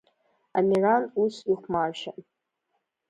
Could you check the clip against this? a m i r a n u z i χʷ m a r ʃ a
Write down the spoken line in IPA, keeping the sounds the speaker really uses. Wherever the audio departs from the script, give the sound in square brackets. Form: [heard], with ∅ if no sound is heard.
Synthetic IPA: a m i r a n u [s] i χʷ m a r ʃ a